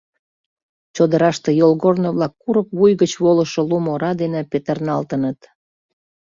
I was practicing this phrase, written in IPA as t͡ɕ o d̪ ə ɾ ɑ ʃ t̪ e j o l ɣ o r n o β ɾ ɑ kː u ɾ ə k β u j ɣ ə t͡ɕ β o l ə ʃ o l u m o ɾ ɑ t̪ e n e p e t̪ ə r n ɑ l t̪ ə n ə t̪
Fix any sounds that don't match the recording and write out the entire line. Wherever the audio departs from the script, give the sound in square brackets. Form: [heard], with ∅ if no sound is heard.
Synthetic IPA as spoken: t͡ɕ o d̪ ə ɾ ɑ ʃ t̪ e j o l ɣ o r n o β [l] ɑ kː u ɾ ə k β u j ɣ ə t͡ɕ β o l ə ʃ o l u m o ɾ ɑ [d̪] e n e p e t̪ ə r n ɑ l t̪ ə n ə t̪